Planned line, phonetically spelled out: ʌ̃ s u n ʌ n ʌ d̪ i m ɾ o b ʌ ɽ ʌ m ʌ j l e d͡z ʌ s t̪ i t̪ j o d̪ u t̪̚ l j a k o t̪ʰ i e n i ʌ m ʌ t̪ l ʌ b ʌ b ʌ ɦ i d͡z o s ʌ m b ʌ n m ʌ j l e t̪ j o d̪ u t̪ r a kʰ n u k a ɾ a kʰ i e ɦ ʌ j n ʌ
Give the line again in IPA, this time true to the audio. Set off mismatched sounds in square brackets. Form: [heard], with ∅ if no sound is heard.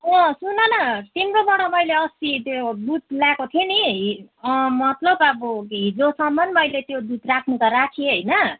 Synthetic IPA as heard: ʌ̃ s u n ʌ n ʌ [t̪] i m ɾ o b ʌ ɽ ʌ m ʌ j l e [∅] ʌ s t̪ i t̪ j o d̪ u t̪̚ l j a k o t̪ʰ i e n i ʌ m ʌ t̪ l ʌ b ʌ b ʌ ɦ i d͡z o s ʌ m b ʌ n m ʌ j l e t̪ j o d̪ u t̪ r a kʰ n u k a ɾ a kʰ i e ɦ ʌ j n ʌ

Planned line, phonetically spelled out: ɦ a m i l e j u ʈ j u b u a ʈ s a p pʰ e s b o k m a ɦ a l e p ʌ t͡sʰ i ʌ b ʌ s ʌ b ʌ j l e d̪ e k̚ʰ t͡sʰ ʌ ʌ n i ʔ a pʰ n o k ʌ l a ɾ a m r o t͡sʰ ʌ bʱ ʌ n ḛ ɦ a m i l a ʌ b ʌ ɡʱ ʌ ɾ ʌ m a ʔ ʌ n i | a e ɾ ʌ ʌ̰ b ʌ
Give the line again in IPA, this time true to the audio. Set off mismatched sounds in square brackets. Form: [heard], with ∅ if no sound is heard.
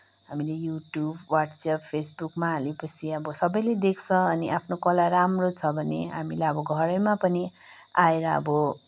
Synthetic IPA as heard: ɦ a m i l e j u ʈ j u b [w] a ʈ s a p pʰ e s b [u] k m a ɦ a l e p ʌ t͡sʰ i ʌ b ʌ s ʌ b ʌ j l e d̪ e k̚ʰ t͡sʰ ʌ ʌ n i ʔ a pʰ n o k ʌ l a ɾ a m r o t͡sʰ ʌ bʱ ʌ n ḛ ɦ a m i l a ʌ b ʌ ɡʱ ʌ ɾ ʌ m a [p] ʌ n i | a e ɾ ʌ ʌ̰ b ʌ

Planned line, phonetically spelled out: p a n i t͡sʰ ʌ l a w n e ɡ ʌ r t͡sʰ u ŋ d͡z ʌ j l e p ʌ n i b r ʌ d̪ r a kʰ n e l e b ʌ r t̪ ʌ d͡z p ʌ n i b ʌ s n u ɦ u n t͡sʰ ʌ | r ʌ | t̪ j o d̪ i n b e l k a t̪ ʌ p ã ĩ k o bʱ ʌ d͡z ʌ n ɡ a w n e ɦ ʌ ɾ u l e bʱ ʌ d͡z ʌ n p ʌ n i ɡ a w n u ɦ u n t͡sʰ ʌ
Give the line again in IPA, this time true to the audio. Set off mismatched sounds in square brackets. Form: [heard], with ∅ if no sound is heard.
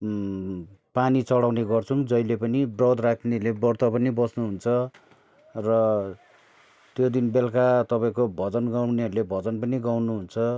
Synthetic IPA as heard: p a n i [t͡s] ʌ [ɽ] a w n e ɡ ʌ r t͡sʰ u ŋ d͡z ʌ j l e p ʌ n i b r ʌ d̪ r a kʰ n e l e b ʌ r t̪ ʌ [∅] p ʌ n i b ʌ s n u ɦ u n t͡sʰ ʌ | r ʌ | t̪ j o d̪ i n b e l k a t̪ ʌ p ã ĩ k o bʱ ʌ d͡z ʌ n ɡ a w n e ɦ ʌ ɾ u l e bʱ ʌ d͡z ʌ n p ʌ n i ɡ a w n u ɦ u n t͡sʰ ʌ

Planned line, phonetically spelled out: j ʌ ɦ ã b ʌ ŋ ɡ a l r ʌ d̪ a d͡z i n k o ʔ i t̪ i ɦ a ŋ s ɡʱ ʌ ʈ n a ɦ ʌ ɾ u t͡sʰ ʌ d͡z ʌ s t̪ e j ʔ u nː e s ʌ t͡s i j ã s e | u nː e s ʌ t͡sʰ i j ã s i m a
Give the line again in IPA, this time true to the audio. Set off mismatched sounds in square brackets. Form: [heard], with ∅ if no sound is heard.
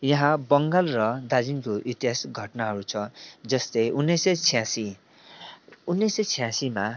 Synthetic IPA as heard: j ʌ ɦ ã b ʌ ŋ ɡ a l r ʌ d̪ a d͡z i n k o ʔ i t̪ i ɦ a [∅] s ɡʱ ʌ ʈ n a ɦ ʌ ɾ u t͡sʰ ʌ d͡z ʌ s t̪ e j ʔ u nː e s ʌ [t͡sʰ] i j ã s [i] | u nː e s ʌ t͡sʰ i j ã s i m a

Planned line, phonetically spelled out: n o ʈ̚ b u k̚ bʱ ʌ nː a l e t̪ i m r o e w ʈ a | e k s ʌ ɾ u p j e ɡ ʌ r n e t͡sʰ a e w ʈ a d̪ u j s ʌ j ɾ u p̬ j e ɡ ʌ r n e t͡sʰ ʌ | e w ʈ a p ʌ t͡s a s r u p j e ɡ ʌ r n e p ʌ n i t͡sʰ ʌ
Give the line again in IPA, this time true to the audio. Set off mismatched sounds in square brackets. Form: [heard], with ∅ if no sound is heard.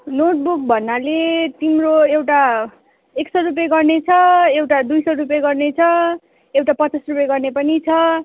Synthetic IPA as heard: n o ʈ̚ b u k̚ bʱ ʌ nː a l e t̪ i m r o e w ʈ a | e k s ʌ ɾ u p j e ɡ ʌ r n e t͡sʰ [ʌ] e w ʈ a d̪ u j s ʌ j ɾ u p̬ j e ɡ ʌ r n e t͡sʰ ʌ | e w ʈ a p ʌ t͡s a s r u p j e ɡ ʌ r n e p ʌ n i t͡sʰ ʌ

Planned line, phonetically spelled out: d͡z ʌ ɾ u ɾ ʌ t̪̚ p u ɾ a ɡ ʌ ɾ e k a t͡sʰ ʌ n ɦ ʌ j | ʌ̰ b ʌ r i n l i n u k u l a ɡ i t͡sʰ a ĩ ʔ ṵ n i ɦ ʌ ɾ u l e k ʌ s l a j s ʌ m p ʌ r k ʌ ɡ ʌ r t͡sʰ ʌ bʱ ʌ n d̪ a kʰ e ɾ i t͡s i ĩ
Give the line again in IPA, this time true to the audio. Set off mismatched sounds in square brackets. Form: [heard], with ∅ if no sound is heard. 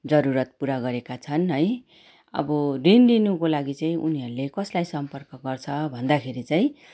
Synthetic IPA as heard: d͡z ʌ ɾ u ɾ ʌ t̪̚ p u ɾ a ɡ ʌ ɾ e k a t͡sʰ ʌ n ɦ ʌ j | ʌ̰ b ʌ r i n l i n u k [o] l a ɡ i [t͡s] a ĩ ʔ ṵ n i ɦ ʌ ɾ u l e k ʌ s l a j s ʌ m p ʌ r k ʌ ɡ ʌ r t͡sʰ ʌ bʱ ʌ n d̪ a kʰ e ɾ i t͡s [a] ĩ

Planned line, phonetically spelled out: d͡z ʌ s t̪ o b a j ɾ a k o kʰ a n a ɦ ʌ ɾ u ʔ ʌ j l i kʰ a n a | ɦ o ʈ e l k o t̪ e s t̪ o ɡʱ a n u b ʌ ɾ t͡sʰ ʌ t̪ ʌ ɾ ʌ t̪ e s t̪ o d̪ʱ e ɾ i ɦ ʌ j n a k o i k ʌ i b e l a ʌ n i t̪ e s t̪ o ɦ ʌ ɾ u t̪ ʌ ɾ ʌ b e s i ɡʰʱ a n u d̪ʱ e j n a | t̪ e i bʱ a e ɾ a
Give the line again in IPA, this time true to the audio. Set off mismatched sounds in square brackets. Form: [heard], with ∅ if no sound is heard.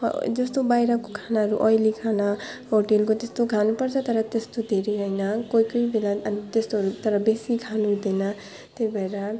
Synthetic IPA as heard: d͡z ʌ s t̪ o b a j ɾ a k o kʰ a n a ɦ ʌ ɾ u ʔ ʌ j l i kʰ a n a | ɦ o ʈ e l k o t̪ e s t̪ o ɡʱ a n u [p] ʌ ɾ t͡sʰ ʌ t̪ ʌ ɾ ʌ t̪ e s t̪ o d̪ʱ e ɾ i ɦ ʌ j n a k o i k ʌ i b e l a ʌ n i t̪ e s t̪ o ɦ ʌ ɾ u t̪ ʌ ɾ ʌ b e s i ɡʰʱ a n u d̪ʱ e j n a | t̪ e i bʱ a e ɾ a

